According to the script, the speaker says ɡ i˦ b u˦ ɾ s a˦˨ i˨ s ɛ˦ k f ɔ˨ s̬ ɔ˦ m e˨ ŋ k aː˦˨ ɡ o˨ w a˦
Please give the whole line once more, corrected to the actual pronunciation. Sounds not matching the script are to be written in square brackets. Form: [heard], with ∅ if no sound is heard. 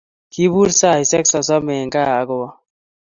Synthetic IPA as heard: [k] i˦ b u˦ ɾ s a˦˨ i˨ s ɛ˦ k [s] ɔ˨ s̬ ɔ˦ m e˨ ŋ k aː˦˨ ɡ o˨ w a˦